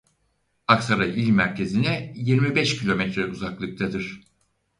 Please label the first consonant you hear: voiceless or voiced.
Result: voiceless